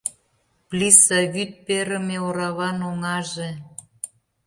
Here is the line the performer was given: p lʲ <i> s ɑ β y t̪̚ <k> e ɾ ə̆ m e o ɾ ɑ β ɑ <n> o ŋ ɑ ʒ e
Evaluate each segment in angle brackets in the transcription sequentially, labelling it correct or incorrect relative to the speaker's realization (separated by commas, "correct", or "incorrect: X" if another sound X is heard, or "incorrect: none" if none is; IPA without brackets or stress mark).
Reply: correct, incorrect: p, correct